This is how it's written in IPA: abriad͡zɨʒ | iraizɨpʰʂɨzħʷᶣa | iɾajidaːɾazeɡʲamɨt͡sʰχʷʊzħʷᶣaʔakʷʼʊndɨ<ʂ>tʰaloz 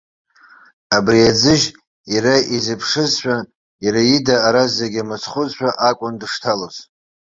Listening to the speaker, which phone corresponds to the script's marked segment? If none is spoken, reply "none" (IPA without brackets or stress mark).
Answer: ʂ